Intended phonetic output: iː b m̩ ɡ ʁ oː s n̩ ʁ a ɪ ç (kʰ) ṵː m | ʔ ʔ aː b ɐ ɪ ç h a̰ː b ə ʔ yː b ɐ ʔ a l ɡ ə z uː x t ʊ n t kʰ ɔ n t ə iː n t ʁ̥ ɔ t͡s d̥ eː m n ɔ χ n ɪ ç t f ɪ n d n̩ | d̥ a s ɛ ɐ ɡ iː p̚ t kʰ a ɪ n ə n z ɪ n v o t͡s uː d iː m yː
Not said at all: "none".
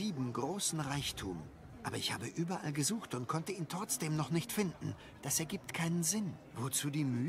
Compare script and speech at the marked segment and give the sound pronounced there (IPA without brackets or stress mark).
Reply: tʰ